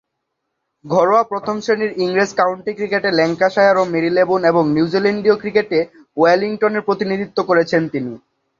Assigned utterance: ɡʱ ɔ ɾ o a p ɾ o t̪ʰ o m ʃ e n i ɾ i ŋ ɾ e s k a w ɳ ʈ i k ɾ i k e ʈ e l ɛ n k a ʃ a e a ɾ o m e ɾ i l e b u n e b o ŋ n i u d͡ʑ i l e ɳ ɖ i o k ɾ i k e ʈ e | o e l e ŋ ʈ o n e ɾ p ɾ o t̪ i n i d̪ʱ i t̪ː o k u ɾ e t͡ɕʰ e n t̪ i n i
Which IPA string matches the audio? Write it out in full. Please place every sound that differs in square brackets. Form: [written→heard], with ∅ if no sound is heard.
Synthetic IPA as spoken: ɡʱ ɔ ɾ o a p ɾ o t̪ʰ o m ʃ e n i ɾ i ŋ ɾ e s k a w ɳ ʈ i k ɾ i k e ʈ e l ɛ [n→ŋ] k a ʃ a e a ɾ o m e ɾ i l e b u n e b o ŋ n i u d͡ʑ i l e ɳ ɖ i o k ɾ i k e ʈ e | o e l [e→i] ŋ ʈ o n e ɾ p ɾ o t̪ i n i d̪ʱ i t̪ː o k [u→o] ɾ e t͡ɕʰ e n t̪ i n i